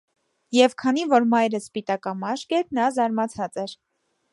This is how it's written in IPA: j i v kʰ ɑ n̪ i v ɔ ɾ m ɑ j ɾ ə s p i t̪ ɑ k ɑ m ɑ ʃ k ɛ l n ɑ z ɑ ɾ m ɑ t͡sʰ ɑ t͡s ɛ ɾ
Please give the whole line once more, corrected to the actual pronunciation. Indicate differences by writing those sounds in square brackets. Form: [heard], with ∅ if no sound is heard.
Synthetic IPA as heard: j [ɛ] v kʰ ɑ n̪ i v ɔ ɾ m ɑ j ɾ ə s p i t̪ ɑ k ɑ m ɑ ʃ k ɛ [ɾ] n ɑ z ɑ ɾ m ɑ t͡sʰ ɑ t͡s ɛ ɾ